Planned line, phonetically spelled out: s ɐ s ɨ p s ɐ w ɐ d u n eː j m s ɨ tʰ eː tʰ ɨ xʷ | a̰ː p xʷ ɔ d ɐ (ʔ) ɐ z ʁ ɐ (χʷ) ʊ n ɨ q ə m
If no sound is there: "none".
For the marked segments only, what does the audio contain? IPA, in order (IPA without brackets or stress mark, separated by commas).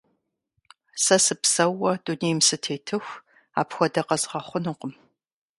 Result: q, χʷ